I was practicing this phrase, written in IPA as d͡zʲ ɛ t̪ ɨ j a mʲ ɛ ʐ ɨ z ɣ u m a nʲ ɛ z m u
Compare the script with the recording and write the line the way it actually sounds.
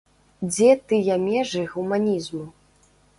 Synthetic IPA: d͡zʲ ɛ t̪ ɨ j a mʲ ɛ ʐ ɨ ɣ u m a nʲ i z m u